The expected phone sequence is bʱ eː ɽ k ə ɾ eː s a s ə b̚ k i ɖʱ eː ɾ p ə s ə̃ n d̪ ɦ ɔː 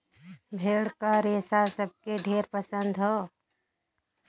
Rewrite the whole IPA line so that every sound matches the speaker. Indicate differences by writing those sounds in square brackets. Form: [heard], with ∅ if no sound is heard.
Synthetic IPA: bʱ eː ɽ k [a] ɾ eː s a s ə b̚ k [e] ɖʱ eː ɾ p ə s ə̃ n d̪ ɦ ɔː